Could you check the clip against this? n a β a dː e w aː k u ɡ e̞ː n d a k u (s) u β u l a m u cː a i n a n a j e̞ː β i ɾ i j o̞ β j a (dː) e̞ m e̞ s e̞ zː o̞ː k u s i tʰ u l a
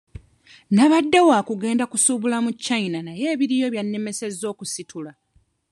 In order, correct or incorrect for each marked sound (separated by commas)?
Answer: correct, incorrect